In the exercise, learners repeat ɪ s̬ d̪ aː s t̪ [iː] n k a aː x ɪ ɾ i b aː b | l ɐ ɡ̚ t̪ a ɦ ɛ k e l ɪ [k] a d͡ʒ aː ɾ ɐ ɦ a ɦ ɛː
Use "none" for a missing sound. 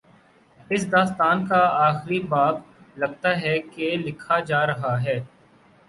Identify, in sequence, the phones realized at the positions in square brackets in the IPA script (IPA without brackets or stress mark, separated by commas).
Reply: aː, kʰ